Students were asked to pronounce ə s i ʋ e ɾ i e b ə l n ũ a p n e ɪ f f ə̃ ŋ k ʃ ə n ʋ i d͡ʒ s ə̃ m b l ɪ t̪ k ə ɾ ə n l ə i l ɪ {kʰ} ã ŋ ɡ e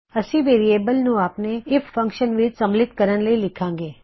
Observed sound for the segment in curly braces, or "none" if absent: kʰ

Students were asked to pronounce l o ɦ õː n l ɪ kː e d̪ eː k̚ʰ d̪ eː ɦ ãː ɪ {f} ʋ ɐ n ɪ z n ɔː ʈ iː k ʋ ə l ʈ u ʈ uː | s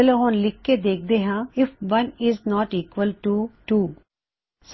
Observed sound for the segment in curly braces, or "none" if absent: f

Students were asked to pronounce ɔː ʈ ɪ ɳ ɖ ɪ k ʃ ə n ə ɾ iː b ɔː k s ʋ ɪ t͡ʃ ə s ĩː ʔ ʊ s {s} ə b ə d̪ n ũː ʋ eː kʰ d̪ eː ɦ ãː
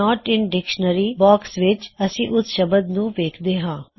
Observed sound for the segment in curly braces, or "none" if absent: ʃ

